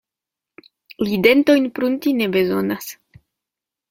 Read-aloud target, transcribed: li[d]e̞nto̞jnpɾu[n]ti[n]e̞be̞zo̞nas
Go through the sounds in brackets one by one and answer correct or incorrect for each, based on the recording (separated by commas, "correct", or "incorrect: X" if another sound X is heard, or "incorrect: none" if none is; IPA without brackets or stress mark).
correct, correct, correct